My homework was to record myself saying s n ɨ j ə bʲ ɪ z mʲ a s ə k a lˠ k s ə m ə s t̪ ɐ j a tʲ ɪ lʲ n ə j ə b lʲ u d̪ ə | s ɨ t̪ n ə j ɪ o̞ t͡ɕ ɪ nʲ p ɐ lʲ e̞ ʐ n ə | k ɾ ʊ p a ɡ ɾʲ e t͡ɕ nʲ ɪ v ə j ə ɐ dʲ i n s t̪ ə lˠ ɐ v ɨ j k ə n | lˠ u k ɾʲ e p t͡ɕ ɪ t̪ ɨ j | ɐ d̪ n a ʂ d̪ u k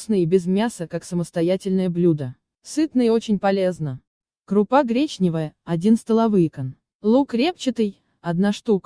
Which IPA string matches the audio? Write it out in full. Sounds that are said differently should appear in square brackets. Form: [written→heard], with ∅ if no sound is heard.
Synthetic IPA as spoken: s n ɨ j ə bʲ ɪ z mʲ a s ə k a [lˠ→∅] k s ə m ə s t̪ ɐ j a tʲ ɪ lʲ n ə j ə b lʲ u d̪ ə | s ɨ t̪ n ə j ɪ o̞ t͡ɕ ɪ nʲ p ɐ lʲ e̞ [ʐ→z] n ə | k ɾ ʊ p a ɡ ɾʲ e t͡ɕ nʲ ɪ v ə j ə ɐ dʲ i n s t̪ ə lˠ ɐ v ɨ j k ə n | lˠ u k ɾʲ e p t͡ɕ ɪ t̪ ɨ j | ɐ d̪ n a ʂ [d̪→t̪] u k